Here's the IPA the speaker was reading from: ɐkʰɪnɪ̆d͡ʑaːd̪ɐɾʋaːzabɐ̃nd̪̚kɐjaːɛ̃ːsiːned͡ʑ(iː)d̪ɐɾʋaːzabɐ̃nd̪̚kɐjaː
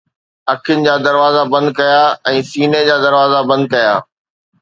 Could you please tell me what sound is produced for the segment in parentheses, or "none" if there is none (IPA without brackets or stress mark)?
aː